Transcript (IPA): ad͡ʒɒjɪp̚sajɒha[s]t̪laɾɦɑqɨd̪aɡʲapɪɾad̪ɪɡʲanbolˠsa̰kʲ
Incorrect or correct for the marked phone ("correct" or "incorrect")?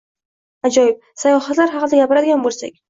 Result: incorrect